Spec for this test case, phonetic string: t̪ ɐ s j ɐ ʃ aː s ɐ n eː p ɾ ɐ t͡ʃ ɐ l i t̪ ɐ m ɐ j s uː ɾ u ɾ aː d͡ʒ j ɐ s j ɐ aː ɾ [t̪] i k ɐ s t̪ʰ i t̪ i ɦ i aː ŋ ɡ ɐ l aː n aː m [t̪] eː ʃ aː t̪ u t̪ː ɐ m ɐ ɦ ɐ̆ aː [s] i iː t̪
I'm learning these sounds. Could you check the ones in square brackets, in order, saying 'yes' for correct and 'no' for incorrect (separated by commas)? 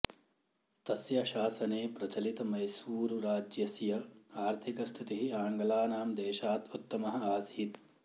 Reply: no, no, yes